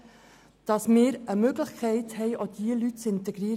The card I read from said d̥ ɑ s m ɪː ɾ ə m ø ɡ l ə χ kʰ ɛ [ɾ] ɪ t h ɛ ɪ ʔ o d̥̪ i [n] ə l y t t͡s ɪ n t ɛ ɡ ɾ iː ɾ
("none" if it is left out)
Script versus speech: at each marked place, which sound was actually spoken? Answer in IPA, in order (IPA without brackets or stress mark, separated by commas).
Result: none, none